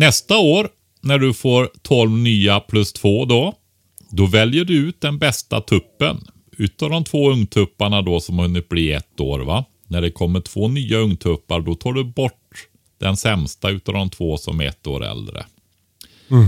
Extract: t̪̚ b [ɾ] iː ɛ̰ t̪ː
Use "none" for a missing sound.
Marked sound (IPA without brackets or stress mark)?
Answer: l